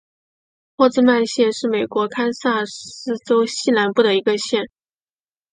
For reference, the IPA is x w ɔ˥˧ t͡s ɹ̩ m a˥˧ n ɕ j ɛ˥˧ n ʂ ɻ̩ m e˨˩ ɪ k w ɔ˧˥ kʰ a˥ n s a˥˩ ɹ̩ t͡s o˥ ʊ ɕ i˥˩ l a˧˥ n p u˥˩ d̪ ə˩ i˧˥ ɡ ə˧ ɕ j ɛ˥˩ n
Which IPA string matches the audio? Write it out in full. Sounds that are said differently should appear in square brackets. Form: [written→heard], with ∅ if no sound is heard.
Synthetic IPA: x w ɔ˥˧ t͡s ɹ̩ m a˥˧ n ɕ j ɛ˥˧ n ʂ ɻ̩ m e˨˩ ɪ k w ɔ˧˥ kʰ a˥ n s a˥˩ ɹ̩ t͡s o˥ ʊ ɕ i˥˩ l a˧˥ n p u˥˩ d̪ ə˩ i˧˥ ɡ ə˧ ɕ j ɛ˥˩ n